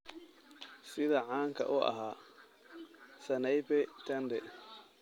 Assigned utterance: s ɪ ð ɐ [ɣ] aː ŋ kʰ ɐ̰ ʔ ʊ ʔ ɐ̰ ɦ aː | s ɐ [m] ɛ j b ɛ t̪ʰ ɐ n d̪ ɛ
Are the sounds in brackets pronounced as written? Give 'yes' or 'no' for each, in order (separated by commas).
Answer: no, no